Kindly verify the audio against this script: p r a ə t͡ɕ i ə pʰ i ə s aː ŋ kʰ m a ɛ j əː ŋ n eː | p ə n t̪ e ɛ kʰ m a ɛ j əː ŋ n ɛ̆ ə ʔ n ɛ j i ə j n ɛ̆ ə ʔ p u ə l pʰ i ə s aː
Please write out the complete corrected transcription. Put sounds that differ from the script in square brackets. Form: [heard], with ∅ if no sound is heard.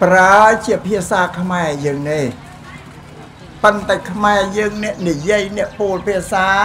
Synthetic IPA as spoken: p r a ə t͡ɕ i ə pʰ i ə s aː [∅] kʰ m a ɛ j əː ŋ n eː | p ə n t̪ [a] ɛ kʰ m a ɛ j əː ŋ n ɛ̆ ə ʔ n [i] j i ə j n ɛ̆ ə ʔ p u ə l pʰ i ə s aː